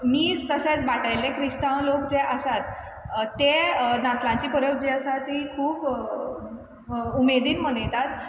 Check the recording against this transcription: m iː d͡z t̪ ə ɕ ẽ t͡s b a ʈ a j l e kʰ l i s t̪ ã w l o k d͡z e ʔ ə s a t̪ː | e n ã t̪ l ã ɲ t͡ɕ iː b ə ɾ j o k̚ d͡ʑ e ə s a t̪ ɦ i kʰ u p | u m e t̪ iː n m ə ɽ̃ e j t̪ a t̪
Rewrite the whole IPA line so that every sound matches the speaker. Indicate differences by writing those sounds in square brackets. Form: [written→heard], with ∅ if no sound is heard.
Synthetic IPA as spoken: m iː d͡z t̪ ə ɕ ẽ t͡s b a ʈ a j l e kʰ [l→ɾ] i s t̪ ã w l o k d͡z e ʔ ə s a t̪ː | e n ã t̪ l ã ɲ t͡ɕ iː [b→p] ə ɾ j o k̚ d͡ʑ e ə s a t̪ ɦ i kʰ [u→uː] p | u m e [t̪→d̪] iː n m ə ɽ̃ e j t̪ a t̪